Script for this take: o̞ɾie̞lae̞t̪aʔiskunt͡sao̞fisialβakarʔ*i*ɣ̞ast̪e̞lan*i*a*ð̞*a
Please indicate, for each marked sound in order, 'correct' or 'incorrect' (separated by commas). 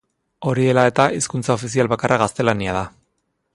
incorrect, correct, correct